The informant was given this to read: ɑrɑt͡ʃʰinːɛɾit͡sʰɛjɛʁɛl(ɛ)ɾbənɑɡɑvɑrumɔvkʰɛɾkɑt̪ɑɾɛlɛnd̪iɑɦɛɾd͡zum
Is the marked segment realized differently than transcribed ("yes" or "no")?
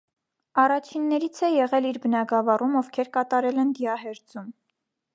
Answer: yes